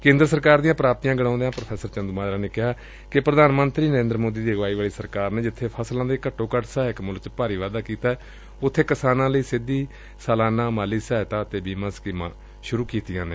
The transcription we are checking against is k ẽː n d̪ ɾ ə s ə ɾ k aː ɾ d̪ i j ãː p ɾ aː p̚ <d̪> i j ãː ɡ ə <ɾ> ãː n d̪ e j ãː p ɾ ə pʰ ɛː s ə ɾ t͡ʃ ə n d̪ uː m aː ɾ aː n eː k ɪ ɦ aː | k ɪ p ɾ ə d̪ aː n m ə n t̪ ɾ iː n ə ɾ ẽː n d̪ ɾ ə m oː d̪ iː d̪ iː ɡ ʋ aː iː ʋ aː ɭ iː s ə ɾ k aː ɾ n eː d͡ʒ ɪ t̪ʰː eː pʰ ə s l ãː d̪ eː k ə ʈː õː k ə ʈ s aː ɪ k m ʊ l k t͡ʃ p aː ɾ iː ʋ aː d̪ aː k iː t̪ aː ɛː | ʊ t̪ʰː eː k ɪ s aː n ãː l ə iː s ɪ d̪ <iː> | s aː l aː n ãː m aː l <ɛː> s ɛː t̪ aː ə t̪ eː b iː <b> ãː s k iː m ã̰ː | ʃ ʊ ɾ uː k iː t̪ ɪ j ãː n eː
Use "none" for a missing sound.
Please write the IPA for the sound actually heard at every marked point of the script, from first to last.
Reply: t̪, ɽ, iː, iː, m

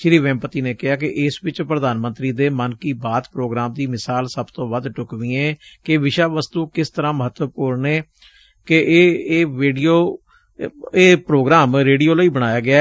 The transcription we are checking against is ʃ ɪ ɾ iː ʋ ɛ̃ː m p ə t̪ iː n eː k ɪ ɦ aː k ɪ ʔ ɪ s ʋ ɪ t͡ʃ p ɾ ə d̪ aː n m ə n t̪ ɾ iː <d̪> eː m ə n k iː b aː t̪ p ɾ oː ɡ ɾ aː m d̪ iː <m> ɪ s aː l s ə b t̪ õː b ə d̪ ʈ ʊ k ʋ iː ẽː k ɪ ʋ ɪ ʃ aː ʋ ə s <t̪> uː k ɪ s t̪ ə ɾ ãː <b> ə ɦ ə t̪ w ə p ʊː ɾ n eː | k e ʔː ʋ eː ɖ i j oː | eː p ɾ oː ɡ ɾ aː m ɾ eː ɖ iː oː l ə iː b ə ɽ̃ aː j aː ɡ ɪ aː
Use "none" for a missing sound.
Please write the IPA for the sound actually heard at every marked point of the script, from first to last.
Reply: d̪, m, t̪, m

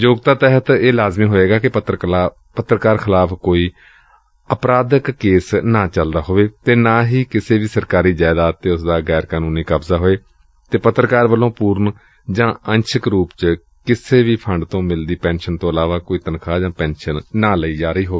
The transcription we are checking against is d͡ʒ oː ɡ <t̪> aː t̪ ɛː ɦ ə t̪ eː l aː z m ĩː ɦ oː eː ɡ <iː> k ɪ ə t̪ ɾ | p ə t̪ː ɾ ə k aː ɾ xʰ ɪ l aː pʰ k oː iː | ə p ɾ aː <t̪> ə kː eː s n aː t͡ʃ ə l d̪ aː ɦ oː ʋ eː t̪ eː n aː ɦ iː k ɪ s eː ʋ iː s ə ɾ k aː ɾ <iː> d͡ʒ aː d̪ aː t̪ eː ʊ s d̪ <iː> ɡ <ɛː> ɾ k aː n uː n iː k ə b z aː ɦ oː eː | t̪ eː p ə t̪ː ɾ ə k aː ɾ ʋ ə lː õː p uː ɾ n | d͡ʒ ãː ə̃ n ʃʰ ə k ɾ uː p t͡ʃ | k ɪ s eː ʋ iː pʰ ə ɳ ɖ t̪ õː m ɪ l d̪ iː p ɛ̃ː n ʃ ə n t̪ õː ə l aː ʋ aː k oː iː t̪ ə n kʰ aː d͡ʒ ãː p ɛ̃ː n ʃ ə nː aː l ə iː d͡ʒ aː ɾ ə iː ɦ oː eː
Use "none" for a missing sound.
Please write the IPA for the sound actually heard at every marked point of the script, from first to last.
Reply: t̪, aː, d̪, iː, aː, ɛː

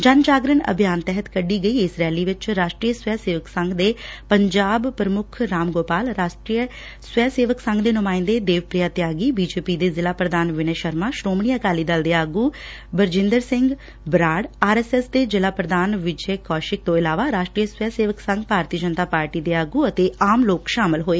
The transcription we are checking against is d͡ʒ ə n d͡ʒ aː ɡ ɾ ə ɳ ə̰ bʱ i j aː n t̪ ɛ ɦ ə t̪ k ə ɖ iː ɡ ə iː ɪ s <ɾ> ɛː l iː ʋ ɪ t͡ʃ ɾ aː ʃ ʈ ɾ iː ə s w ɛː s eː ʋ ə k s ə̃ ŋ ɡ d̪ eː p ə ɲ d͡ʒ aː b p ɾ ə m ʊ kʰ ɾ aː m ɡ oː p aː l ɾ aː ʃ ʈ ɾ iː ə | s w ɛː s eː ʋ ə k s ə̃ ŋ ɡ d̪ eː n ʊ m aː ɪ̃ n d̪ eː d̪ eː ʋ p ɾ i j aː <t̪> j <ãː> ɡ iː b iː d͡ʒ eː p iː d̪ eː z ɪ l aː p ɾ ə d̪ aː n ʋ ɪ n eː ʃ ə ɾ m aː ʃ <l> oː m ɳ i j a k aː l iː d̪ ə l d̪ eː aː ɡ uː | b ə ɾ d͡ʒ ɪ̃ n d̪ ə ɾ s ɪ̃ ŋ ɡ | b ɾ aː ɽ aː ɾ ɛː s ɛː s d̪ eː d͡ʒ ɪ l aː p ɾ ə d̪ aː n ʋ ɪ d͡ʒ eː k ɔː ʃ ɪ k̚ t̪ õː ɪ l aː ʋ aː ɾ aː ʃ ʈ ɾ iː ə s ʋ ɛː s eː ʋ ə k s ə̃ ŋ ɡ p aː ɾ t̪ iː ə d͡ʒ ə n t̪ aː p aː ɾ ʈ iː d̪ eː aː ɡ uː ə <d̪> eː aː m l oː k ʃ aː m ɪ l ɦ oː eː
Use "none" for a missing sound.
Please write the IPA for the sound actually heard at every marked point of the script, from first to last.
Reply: ɾ, t̪, aː, ɾ, t̪

